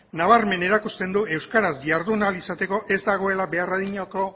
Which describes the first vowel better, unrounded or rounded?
unrounded